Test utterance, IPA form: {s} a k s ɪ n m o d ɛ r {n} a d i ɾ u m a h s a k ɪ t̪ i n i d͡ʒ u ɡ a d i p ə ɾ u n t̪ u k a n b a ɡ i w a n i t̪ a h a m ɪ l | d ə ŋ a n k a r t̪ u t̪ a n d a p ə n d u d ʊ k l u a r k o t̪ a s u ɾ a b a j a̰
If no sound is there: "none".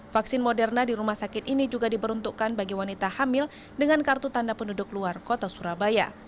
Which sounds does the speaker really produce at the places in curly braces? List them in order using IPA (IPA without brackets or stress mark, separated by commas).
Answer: f, n